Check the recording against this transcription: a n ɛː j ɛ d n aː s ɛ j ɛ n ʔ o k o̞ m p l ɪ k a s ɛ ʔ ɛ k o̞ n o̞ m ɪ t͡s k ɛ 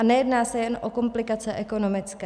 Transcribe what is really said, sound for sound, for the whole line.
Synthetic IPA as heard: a n ɛ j ɛ d n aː s ɛ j ɛ n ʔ o k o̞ m p l ɪ k a t͡s ɛ ʔ ɛ k o̞ n o̞ m ɪ t͡s k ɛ